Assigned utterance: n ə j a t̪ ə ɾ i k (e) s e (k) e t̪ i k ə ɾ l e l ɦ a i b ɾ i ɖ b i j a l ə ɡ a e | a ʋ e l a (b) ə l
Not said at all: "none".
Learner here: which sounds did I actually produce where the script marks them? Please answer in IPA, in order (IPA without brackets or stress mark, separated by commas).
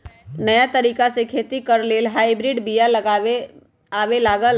a, kʰ, ɡ